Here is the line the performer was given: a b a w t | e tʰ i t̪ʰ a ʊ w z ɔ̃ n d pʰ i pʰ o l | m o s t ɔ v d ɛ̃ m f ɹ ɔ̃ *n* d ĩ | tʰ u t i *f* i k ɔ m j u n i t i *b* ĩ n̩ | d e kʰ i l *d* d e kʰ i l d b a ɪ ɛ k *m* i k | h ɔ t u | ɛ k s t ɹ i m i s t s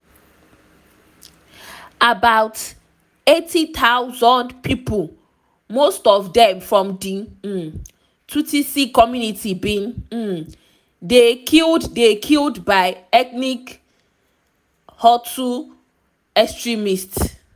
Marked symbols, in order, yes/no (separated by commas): no, no, yes, yes, no